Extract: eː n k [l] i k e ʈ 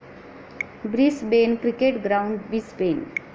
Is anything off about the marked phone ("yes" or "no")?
yes